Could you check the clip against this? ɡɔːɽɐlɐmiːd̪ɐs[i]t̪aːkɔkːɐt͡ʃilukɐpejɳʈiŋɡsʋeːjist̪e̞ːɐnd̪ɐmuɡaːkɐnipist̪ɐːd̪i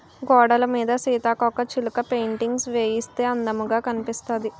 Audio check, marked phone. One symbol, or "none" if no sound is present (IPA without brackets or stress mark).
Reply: iː